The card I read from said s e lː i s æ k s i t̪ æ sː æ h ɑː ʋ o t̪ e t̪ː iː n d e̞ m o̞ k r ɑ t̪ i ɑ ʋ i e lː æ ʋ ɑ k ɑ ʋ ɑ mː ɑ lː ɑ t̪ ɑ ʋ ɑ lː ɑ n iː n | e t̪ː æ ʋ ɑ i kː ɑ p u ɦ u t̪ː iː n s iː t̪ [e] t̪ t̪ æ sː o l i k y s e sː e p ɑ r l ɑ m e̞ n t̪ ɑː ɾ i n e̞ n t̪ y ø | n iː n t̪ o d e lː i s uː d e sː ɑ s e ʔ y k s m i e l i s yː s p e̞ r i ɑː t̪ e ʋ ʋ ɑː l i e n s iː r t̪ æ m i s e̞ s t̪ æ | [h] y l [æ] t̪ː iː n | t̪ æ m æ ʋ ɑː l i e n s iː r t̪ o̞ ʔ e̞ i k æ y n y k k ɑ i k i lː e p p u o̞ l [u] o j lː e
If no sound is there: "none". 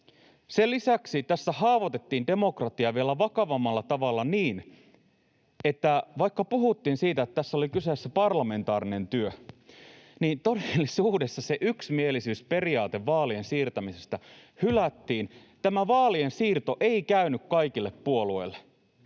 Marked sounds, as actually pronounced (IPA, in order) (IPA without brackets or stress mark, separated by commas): æ, h, æ, u